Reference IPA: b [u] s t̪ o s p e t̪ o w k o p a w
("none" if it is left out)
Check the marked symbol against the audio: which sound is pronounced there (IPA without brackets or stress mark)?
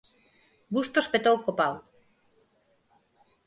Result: u